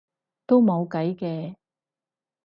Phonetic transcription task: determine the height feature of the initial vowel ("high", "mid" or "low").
mid